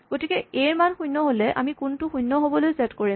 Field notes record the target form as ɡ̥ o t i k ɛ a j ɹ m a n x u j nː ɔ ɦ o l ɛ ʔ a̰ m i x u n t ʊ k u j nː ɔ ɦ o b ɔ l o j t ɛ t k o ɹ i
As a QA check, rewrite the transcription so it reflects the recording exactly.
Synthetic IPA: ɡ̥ o t i k ɛ e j ɹ m a n x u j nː ɔ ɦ o l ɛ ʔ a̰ m i k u n t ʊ x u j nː ɔ ɦ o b ɔ l o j s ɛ t k o ɹ i